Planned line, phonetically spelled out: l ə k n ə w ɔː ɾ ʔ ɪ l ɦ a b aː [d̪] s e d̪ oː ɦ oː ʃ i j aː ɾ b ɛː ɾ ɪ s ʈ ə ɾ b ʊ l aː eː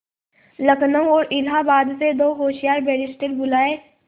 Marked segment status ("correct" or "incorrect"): correct